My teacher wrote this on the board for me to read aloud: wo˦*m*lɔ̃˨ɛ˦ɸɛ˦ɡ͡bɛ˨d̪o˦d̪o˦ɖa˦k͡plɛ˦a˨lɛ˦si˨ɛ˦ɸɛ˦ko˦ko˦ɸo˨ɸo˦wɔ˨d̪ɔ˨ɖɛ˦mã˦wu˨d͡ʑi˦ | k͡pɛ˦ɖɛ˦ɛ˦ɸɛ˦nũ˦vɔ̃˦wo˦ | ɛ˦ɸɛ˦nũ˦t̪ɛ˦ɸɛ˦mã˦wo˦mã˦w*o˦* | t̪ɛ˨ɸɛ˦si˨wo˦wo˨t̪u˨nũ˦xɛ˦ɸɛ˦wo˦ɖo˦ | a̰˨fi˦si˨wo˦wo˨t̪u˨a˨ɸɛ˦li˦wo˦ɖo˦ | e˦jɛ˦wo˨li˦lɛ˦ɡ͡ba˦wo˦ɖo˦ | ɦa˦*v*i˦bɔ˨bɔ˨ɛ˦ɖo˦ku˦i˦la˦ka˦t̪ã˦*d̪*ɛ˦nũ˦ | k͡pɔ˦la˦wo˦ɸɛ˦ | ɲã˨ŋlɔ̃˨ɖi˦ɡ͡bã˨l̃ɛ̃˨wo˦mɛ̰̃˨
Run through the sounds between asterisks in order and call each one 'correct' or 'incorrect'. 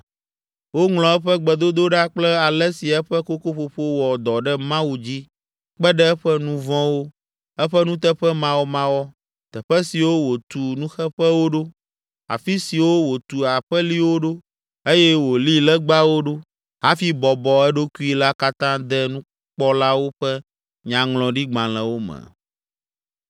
incorrect, incorrect, incorrect, correct

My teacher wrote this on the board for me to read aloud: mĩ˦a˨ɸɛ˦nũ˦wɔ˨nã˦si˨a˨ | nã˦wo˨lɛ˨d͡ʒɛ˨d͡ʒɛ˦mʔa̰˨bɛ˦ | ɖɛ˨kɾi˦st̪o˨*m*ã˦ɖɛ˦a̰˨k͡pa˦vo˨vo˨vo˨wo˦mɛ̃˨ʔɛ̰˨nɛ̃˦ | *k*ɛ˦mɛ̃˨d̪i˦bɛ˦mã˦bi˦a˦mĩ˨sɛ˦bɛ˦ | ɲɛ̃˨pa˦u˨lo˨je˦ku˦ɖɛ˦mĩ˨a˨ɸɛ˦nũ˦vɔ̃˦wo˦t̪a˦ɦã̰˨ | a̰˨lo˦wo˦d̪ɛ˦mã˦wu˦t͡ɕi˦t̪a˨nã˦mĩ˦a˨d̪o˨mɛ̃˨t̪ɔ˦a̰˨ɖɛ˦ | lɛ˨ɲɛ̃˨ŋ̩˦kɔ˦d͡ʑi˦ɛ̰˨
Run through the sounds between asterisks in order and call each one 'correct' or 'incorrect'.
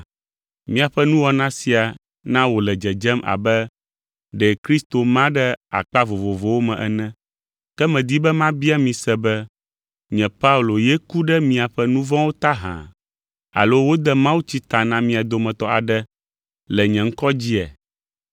correct, correct

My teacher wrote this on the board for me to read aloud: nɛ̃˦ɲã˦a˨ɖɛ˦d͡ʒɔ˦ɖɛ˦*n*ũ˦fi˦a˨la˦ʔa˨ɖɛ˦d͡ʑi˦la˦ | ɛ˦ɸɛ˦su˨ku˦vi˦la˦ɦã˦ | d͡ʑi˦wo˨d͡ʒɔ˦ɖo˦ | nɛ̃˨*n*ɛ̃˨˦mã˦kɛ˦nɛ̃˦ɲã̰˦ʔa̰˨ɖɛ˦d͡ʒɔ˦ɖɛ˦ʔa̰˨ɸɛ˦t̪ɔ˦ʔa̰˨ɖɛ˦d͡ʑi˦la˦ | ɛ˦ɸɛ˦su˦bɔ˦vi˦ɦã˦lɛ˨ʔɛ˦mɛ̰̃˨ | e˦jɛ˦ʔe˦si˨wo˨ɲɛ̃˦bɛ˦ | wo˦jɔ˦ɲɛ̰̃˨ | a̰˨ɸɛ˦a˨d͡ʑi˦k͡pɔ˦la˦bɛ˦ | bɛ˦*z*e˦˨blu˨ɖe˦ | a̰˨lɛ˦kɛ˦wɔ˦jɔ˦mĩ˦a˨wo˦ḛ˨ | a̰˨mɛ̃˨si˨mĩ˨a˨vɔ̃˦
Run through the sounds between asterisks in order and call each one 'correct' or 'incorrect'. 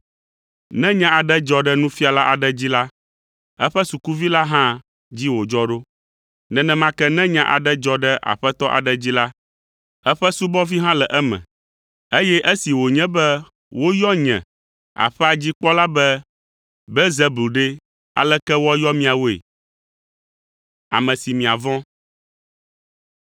correct, correct, correct

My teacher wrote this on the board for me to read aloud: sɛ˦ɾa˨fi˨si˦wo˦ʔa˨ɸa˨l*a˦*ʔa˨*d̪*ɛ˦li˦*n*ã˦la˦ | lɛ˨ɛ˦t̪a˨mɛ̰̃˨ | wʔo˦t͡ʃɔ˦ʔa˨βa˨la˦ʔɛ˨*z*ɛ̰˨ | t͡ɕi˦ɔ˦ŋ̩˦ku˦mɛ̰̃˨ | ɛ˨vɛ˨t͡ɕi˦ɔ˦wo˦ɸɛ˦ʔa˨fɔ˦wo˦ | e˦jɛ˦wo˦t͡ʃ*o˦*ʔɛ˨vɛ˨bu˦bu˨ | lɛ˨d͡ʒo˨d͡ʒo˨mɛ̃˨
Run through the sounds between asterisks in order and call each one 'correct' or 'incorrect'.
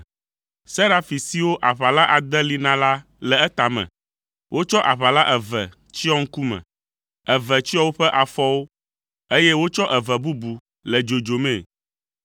correct, correct, correct, incorrect, incorrect

